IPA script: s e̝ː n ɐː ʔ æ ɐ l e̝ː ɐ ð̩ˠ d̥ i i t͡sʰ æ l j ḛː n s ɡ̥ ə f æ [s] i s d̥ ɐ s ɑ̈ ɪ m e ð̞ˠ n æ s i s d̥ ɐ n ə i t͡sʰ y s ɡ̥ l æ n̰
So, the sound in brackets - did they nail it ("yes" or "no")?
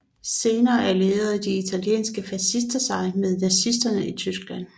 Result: yes